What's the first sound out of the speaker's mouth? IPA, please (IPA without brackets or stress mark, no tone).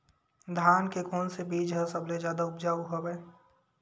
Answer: d̪ʱ